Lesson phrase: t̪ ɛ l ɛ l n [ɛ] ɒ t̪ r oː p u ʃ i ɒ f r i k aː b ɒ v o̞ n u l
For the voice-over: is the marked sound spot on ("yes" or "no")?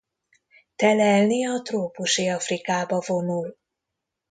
no